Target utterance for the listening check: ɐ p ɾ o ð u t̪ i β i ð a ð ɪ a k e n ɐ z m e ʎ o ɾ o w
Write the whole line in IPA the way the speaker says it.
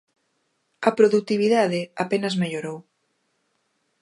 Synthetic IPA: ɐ p ɾ o ð u t̪ i β i ð a ð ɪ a p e n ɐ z m e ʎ o ɾ o w